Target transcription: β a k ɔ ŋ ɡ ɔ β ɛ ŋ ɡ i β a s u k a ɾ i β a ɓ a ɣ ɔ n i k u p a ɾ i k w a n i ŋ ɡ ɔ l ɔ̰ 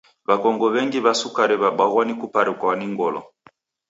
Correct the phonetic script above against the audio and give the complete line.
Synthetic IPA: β a k ɔ ŋ ɡ ɔ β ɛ ŋ ɡ i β a s u k a ɾ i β a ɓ a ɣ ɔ n i k u p a ɾ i k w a n i ŋ ɡ ɔ l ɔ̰